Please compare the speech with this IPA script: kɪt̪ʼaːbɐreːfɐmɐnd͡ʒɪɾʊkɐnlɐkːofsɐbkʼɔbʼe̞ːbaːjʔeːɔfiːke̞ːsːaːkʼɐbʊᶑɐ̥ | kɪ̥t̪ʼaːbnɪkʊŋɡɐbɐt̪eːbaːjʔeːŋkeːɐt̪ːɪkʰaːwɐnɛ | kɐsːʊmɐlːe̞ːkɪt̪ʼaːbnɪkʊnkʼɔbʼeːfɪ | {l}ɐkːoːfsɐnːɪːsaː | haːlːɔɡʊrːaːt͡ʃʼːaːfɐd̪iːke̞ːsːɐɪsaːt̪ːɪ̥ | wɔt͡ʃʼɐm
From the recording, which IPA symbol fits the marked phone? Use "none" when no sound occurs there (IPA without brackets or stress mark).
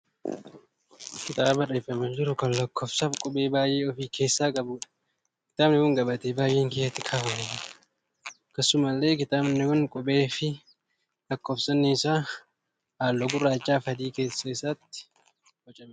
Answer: l